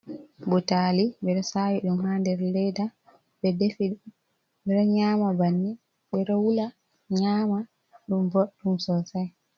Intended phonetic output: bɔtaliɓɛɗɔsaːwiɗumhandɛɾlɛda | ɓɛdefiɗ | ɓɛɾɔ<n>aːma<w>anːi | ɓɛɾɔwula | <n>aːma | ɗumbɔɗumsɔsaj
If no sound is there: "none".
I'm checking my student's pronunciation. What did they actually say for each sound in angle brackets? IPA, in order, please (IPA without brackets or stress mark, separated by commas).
ɲ, b, ɲ